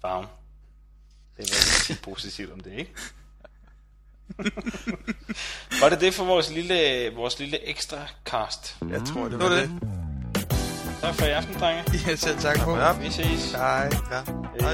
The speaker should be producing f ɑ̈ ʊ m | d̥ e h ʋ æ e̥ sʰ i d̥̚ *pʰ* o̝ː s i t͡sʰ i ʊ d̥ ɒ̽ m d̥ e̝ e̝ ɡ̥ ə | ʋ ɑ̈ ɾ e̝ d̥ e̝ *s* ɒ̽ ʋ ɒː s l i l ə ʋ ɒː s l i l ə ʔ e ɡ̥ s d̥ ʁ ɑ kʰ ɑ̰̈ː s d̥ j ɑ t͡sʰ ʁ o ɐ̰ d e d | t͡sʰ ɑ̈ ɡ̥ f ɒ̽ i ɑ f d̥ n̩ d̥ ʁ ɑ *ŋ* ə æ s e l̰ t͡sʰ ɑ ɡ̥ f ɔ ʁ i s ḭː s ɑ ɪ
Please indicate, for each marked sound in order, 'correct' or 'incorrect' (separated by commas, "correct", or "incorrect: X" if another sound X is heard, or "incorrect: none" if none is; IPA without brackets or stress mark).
correct, incorrect: f, correct